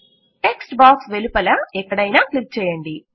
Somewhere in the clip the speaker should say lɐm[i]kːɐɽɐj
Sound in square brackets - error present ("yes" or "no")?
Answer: yes